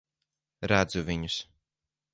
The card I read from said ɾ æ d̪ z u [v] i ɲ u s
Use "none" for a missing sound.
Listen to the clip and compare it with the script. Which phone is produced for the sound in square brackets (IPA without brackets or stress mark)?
v